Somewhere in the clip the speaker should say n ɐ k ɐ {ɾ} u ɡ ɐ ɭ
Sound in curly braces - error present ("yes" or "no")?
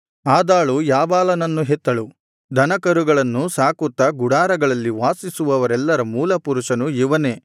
no